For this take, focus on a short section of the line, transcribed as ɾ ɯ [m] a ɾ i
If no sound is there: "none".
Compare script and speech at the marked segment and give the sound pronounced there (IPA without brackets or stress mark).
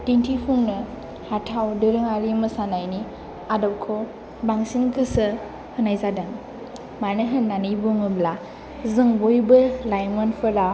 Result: ŋ